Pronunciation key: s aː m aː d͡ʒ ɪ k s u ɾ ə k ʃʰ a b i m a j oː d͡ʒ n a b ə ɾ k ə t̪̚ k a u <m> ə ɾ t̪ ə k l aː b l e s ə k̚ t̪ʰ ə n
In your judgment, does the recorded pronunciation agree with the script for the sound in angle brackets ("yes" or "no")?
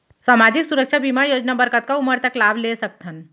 yes